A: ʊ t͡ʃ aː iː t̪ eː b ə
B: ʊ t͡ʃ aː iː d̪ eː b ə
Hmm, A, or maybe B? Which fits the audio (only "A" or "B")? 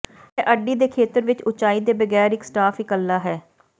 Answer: B